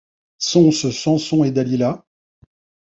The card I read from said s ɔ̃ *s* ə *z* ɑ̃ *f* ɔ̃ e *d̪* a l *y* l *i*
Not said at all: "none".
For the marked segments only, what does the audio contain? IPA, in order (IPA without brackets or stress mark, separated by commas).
s, s, s, d̪, i, a